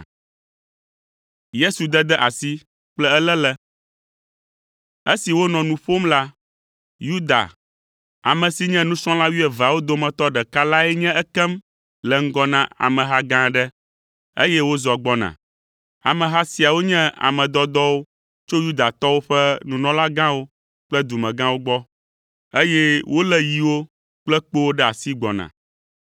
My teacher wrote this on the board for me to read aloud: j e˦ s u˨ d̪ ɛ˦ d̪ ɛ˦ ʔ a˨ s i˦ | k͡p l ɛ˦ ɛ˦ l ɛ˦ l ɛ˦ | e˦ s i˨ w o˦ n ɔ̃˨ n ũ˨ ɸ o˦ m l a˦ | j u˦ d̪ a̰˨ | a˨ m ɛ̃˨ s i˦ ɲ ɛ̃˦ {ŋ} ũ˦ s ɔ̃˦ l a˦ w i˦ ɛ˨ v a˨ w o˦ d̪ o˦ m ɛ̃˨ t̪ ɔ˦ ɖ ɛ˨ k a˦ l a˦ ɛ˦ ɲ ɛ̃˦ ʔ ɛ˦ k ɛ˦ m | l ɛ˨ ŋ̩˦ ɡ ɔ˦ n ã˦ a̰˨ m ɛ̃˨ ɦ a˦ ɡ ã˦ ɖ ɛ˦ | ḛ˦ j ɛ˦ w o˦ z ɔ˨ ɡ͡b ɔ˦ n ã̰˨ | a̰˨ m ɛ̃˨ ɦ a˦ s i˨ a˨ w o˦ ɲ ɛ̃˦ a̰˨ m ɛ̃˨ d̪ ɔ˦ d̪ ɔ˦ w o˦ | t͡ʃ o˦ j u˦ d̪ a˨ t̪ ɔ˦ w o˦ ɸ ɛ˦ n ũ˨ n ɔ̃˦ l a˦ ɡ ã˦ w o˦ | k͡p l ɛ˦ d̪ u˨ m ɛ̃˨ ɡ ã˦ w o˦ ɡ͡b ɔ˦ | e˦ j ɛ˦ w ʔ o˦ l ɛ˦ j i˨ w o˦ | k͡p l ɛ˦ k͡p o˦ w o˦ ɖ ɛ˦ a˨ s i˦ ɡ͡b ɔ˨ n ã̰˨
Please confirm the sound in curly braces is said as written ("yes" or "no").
no